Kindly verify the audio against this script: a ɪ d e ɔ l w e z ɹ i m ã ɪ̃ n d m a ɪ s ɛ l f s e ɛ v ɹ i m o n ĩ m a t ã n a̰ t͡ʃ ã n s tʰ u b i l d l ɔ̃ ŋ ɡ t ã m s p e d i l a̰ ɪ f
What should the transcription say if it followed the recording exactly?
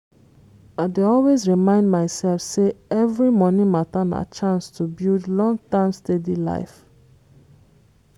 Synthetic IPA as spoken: a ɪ d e ɔ l w e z ɹ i m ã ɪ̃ n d m a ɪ s ɛ l f s e ɛ v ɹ i m ɔ n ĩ m a t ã n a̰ t͡ʃ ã n s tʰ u b i l d l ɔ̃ ŋ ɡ t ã m s t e d i l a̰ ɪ f